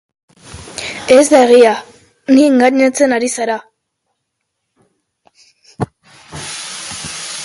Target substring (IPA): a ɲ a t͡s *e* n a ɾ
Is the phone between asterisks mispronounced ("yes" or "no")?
no